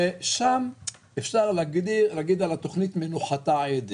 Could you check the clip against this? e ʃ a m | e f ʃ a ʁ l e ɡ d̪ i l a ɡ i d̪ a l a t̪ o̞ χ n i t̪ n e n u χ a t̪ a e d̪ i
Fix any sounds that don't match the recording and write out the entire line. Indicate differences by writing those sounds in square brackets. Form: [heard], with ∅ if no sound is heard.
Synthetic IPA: e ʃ a m | e f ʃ a ʁ l [a] ɡ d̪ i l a ɡ i d̪ a l a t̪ o̞ χ n i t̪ [m] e n u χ a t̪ a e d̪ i